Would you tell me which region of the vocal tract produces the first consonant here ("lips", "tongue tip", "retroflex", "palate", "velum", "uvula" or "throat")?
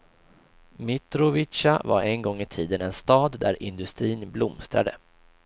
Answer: lips